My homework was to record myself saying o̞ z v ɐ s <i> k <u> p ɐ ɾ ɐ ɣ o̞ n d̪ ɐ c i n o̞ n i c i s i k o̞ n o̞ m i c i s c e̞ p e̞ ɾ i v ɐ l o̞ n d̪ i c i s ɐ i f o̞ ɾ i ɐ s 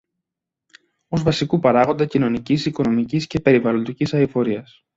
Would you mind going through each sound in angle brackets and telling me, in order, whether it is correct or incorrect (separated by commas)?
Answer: correct, correct